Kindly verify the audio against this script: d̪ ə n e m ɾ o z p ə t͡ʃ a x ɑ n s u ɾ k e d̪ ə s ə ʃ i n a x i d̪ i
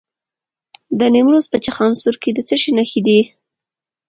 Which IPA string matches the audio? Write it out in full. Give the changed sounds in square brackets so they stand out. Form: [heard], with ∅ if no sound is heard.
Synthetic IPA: d̪ ə n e m ɾ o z p ə t͡ʃ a x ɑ n s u ɾ k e d̪ ə [t͡s] ə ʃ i n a x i d̪ i